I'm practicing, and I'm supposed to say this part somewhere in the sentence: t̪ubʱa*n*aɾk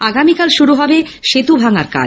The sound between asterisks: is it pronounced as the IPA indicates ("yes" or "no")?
no